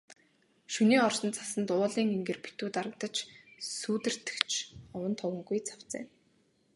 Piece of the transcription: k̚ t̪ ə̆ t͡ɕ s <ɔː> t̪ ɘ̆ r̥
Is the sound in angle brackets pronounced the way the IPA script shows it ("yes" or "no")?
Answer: no